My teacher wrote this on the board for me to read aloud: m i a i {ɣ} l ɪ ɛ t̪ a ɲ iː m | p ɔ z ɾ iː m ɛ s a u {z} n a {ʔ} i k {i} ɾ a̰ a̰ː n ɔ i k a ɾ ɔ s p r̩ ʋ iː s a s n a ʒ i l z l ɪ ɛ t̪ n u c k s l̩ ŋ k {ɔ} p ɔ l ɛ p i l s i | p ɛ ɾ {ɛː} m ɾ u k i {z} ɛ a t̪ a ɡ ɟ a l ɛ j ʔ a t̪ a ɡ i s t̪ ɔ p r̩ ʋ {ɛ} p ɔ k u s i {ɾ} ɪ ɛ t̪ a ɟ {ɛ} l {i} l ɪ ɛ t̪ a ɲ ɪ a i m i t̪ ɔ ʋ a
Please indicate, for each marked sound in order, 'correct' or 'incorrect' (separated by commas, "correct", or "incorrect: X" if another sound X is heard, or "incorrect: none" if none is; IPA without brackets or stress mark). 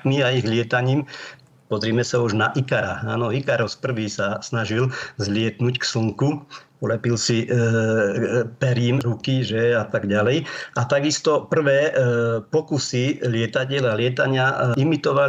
correct, incorrect: ʒ, correct, incorrect: a, incorrect: u, incorrect: iː, incorrect: ʒ, incorrect: ɛː, incorrect: l, correct, incorrect: a